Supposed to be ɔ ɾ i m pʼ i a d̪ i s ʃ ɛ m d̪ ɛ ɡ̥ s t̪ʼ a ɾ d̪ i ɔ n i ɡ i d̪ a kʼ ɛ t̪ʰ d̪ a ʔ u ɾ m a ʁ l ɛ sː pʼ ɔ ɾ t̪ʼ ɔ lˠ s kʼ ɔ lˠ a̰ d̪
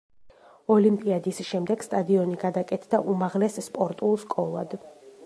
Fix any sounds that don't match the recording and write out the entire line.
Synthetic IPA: ɔ l i m pʼ i a d̪ i s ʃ ɛ m d̪ ɛ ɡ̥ s t̪ʼ a d̪ i ɔ n i ɡ a d̪ a kʼ ɛ t̪ʰ d̪ a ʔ u m a ʁ l ɛ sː pʼ ɔ ɾ t̪ʼ u lˠ s kʼ ɔ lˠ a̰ d̪